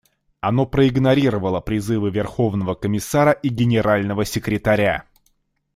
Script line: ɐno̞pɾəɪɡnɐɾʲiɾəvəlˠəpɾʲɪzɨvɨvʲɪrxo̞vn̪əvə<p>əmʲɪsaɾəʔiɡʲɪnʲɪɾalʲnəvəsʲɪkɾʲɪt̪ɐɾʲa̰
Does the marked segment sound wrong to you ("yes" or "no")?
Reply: yes